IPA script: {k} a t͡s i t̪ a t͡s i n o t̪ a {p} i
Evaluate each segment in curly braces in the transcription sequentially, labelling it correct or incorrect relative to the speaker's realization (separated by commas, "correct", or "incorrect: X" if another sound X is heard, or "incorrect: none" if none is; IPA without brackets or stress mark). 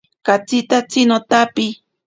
correct, correct